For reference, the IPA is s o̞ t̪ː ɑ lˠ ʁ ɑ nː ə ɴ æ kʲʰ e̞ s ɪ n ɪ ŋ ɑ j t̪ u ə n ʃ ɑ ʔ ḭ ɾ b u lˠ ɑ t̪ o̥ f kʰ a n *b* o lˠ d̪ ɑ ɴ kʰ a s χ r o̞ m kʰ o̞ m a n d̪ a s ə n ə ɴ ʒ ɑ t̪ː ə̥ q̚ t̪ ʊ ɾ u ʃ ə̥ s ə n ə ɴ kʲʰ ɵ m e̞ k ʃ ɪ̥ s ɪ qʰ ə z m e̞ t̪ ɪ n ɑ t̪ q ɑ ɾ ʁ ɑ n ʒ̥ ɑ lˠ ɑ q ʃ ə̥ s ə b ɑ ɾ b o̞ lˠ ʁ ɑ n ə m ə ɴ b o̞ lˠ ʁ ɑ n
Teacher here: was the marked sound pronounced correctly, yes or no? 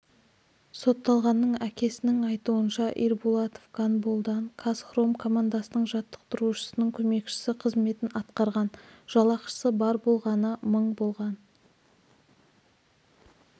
yes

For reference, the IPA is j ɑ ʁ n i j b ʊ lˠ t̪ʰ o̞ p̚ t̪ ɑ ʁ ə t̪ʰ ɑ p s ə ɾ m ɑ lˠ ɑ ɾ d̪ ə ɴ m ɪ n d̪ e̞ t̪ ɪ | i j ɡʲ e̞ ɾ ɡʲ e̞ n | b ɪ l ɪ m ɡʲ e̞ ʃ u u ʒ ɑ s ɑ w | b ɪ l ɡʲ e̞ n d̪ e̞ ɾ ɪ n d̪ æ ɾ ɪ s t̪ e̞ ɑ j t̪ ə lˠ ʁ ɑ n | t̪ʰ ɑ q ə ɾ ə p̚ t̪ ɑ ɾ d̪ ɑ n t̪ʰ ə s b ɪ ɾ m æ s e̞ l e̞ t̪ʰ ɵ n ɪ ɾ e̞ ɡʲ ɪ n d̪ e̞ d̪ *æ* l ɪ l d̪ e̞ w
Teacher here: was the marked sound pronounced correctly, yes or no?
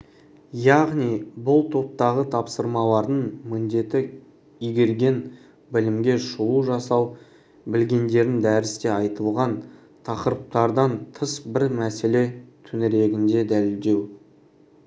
yes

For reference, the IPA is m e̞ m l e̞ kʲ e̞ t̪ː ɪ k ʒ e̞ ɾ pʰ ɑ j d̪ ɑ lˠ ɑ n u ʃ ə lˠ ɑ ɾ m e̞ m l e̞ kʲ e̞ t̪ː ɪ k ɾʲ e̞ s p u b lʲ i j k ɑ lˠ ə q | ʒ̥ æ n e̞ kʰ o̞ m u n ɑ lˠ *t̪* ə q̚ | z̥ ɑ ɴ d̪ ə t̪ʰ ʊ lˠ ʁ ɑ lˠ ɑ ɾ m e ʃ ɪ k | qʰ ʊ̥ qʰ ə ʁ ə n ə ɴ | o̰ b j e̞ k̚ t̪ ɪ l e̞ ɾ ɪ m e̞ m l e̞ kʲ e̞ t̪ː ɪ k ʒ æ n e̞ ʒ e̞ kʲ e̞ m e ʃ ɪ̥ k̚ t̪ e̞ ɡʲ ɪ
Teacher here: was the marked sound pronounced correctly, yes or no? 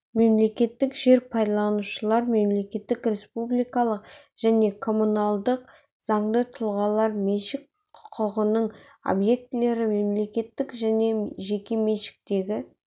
no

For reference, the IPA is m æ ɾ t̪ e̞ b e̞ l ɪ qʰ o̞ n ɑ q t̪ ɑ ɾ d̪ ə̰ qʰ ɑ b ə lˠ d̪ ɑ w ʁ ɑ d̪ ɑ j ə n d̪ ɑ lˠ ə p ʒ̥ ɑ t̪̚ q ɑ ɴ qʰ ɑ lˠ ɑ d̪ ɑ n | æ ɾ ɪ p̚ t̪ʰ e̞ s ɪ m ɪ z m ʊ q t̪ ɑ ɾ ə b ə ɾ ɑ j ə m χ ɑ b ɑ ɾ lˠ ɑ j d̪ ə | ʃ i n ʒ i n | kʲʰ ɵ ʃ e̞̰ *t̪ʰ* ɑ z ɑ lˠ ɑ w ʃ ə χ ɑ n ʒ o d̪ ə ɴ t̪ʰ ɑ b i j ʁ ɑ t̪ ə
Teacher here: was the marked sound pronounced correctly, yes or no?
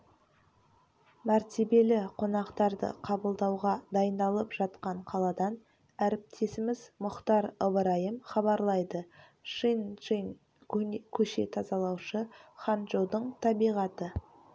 yes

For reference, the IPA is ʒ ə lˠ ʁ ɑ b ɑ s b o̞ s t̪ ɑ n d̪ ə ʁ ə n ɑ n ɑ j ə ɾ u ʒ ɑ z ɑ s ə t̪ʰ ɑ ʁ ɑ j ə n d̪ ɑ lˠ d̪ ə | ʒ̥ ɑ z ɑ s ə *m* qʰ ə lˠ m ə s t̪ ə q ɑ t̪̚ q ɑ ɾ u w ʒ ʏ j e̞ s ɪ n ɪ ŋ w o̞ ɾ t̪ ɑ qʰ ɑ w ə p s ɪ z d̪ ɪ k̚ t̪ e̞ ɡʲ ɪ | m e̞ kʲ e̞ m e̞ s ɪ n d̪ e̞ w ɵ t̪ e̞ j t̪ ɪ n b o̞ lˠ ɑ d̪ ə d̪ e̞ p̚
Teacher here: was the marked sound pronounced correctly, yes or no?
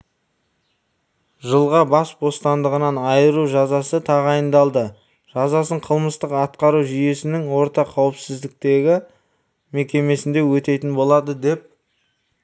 no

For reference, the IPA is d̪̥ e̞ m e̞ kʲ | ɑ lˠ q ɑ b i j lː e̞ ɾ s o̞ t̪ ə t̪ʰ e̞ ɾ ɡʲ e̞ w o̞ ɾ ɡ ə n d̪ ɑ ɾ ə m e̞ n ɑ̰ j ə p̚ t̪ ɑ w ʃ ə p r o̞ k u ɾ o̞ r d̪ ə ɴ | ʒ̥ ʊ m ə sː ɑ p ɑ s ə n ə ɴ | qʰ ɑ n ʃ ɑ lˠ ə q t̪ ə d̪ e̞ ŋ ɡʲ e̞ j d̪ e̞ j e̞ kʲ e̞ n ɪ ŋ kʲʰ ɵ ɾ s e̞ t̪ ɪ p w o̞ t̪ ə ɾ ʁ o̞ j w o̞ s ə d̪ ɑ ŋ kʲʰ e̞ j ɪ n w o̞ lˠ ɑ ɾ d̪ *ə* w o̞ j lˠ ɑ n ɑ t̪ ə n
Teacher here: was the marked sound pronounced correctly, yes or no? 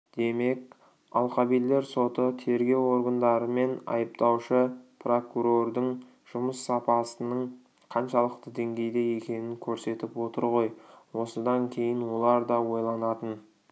no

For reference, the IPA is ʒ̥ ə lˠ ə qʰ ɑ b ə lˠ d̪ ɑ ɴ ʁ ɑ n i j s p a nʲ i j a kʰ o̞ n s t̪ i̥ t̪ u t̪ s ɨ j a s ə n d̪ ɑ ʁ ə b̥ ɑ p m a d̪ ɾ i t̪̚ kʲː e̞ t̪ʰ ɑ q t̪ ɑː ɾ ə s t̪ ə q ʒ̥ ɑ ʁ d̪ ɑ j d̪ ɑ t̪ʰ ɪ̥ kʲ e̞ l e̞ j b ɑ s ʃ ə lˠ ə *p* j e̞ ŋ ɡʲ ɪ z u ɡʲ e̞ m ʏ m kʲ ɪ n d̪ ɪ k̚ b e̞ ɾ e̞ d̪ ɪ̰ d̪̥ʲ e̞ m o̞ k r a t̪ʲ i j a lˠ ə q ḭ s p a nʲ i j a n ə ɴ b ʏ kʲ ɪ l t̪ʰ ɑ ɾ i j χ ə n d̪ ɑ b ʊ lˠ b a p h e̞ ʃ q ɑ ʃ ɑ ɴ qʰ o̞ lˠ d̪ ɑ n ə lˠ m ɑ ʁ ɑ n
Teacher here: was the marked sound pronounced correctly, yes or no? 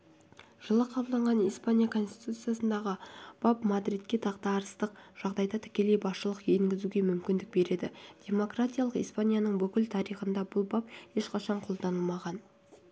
no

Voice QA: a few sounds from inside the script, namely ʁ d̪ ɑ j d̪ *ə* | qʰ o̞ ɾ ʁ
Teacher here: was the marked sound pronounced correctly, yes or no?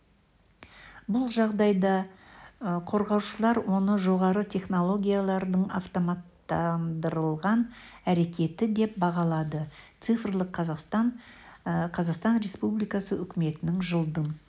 no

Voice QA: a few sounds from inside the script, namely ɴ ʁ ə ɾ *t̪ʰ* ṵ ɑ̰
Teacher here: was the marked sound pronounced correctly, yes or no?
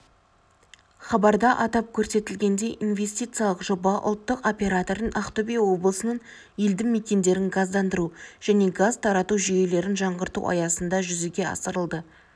no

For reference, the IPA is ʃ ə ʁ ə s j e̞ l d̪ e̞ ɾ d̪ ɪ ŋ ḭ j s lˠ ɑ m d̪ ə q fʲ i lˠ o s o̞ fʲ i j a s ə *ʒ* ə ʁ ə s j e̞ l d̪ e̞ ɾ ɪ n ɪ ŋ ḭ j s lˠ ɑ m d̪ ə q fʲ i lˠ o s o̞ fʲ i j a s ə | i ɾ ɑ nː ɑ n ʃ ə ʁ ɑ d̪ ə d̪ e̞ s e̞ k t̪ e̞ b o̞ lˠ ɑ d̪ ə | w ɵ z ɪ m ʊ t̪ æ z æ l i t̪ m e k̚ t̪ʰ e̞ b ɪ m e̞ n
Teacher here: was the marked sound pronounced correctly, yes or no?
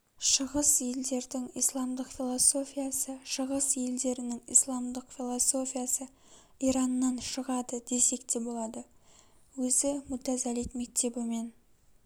no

